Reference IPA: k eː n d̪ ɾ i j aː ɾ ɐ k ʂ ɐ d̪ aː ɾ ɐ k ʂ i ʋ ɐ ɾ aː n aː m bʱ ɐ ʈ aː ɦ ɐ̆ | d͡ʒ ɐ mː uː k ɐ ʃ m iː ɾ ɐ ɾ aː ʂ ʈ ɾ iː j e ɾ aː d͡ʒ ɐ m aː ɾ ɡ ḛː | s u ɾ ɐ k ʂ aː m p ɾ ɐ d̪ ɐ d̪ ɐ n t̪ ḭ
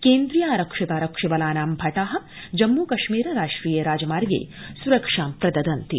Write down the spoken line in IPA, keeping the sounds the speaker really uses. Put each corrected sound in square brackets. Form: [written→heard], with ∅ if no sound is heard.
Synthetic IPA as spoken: k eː n d̪ ɾ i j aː ɾ ɐ k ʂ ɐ [d̪→t̪] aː ɾ ɐ k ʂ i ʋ ɐ [ɾ→l] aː n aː m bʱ ɐ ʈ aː ɦ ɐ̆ | d͡ʒ ɐ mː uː k ɐ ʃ m iː ɾ ɐ ɾ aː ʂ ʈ ɾ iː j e ɾ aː d͡ʒ ɐ m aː ɾ ɡ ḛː | s u ɾ ɐ k ʂ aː m p ɾ ɐ d̪ ɐ d̪ ɐ n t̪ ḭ

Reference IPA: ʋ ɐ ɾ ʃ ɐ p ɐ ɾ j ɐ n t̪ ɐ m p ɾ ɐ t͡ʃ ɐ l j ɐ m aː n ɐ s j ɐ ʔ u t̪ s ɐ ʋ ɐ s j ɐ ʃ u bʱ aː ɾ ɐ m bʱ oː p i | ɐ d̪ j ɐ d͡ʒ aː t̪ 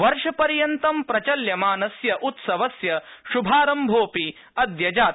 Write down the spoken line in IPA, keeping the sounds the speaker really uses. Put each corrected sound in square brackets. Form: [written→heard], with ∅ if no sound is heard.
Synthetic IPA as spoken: ʋ ɐ ɾ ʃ ɐ p ɐ ɾ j ɐ n t̪ ɐ m p ɾ ɐ t͡ʃ ɐ l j ɐ m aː n ɐ s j ɐ ʔ u t̪ s ɐ ʋ ɐ s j ɐ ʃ u bʱ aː ɾ ɐ m bʱ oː p i | ɐ d̪ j ɐ d͡ʒ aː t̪

